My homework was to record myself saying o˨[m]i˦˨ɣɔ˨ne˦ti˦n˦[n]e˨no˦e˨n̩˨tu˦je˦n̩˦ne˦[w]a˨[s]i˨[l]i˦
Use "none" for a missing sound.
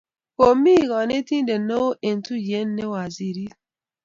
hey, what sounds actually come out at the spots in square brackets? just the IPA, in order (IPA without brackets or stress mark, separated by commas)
m, d, w, z, ɾ